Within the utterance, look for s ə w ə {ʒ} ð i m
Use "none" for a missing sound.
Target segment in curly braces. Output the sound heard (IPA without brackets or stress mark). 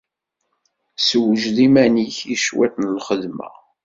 ʒ